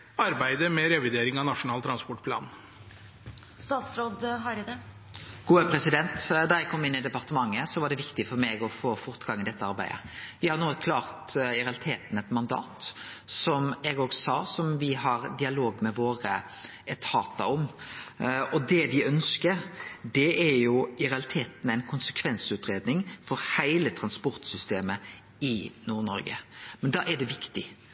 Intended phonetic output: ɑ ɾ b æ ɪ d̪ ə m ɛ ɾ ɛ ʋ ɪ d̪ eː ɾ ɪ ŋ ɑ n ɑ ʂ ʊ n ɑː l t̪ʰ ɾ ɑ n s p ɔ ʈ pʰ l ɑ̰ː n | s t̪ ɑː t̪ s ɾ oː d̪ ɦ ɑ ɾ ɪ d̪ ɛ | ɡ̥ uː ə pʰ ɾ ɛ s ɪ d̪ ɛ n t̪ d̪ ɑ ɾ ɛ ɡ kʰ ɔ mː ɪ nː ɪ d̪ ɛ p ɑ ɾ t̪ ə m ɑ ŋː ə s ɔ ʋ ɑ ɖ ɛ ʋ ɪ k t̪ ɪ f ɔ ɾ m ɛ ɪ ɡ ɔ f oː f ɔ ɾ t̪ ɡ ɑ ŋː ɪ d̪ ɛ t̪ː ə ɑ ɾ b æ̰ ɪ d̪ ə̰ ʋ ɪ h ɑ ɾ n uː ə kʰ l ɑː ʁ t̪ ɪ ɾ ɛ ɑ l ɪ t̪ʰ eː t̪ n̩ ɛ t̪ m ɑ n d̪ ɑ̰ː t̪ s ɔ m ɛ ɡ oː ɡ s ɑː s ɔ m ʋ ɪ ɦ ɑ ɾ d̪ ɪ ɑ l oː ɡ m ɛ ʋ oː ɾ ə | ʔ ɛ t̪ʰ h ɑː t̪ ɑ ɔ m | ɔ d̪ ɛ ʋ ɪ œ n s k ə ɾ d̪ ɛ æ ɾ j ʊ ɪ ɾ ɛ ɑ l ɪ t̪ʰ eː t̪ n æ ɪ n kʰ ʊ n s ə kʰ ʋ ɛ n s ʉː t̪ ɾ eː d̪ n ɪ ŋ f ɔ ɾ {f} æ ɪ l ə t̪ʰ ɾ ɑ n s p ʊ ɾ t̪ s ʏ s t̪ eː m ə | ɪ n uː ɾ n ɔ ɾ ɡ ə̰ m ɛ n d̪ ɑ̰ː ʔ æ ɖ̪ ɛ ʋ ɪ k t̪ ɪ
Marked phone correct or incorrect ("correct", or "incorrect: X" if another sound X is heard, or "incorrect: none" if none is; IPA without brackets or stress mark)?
incorrect: h